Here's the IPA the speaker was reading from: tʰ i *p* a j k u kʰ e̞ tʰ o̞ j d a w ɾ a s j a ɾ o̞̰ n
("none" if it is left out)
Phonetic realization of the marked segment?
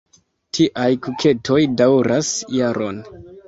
ʔ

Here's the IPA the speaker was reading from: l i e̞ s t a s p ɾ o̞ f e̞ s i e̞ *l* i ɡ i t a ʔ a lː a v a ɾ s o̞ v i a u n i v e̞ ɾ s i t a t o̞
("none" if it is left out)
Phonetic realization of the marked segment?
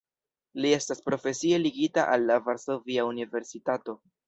l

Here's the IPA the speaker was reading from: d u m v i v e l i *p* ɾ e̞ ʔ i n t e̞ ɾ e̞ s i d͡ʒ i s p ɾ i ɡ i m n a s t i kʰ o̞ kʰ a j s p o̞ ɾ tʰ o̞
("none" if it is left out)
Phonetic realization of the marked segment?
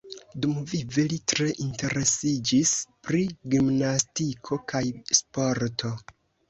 t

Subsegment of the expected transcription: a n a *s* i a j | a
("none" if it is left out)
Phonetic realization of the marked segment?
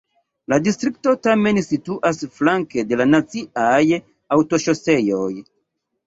t͡s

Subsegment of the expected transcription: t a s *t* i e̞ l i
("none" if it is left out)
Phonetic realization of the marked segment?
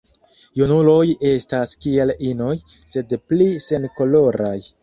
k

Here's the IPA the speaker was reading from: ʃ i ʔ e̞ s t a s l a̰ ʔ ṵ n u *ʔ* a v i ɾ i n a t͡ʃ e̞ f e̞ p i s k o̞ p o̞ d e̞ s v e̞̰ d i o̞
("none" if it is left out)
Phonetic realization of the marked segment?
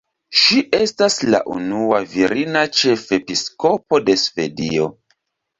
none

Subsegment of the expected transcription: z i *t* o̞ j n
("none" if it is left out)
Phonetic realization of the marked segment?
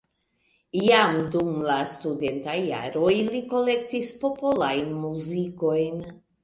k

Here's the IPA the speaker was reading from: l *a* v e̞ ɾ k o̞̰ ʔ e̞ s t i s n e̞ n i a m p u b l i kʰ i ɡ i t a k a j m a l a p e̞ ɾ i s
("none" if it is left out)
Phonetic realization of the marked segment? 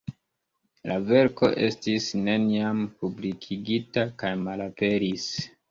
a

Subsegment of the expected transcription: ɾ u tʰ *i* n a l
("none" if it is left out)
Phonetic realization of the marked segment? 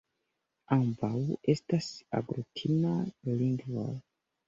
i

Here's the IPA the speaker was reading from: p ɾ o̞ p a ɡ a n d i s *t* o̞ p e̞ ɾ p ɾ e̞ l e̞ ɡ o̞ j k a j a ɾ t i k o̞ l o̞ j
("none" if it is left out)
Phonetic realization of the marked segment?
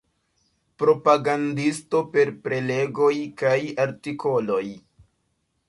t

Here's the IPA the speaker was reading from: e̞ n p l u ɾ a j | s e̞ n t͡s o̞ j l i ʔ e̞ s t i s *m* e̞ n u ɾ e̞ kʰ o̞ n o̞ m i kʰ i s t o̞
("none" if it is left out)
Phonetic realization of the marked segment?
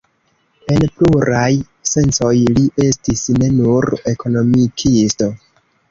n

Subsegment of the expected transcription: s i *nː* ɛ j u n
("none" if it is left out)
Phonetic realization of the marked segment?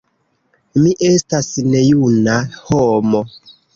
n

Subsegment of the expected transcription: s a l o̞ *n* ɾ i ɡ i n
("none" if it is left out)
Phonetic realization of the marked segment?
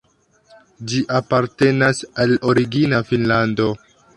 none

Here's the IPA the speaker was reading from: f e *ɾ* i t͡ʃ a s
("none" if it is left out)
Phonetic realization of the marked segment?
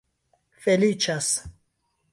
l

